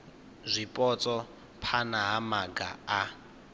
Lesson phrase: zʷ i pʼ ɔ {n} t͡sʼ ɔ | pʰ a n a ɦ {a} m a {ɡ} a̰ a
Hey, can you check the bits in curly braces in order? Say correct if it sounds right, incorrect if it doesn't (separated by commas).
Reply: incorrect, correct, correct